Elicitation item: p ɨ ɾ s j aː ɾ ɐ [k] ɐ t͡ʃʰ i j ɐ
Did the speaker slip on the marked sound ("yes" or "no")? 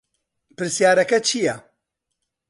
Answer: no